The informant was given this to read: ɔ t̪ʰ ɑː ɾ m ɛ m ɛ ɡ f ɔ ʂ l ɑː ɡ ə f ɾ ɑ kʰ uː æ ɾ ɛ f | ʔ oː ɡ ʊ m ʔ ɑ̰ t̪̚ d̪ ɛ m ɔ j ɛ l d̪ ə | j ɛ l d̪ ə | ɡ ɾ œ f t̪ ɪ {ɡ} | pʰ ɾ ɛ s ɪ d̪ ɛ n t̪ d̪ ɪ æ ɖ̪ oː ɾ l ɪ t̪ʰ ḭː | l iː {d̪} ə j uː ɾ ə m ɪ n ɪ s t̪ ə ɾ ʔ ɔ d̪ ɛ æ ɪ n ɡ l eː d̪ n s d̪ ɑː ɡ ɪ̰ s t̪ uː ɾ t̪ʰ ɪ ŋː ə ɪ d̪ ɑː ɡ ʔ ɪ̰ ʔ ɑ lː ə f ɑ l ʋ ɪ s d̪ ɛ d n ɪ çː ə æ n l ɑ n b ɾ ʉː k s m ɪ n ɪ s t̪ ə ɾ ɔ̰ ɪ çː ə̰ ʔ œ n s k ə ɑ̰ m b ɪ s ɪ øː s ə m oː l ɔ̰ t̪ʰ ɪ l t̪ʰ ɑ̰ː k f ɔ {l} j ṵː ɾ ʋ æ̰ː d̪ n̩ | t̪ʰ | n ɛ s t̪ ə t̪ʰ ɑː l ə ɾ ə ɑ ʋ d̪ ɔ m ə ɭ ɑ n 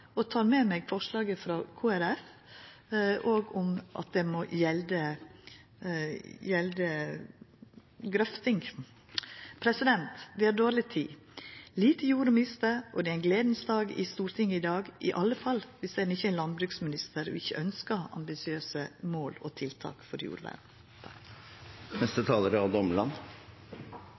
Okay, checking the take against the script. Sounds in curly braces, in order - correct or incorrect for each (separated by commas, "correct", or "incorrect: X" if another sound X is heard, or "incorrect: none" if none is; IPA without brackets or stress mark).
incorrect: ŋ, incorrect: t̪, incorrect: ɾ